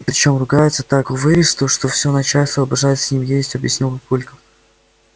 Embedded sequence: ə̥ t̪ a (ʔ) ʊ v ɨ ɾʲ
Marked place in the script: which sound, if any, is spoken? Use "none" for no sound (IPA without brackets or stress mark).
k